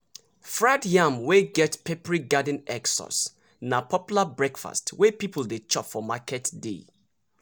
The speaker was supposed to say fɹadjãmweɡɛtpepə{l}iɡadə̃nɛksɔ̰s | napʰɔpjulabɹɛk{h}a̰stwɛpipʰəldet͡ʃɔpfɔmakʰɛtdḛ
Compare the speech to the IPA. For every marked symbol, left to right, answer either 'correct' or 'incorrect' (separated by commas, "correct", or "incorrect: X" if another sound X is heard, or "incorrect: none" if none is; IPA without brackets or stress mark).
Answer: incorrect: ɹ, incorrect: f